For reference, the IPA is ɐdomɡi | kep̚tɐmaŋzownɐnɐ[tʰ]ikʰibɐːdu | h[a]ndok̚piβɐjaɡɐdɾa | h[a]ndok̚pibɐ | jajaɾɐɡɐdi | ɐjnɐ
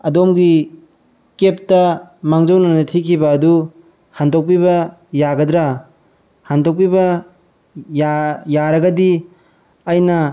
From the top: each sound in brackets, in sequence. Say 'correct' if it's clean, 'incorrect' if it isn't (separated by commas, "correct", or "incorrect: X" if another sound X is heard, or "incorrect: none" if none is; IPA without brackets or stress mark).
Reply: correct, correct, correct